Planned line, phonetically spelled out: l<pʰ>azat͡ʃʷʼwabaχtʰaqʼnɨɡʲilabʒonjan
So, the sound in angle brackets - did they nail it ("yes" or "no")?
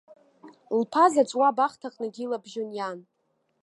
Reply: yes